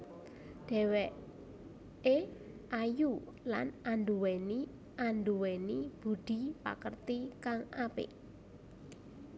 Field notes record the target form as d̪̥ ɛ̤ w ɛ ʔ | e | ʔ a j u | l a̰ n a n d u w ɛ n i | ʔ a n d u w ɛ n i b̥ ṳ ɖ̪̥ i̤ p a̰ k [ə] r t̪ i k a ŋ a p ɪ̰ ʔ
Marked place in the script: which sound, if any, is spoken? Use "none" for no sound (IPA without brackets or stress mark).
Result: ə